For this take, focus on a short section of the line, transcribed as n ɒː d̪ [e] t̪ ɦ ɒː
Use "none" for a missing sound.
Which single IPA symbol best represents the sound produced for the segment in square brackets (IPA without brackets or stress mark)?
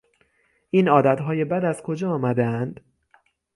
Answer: æ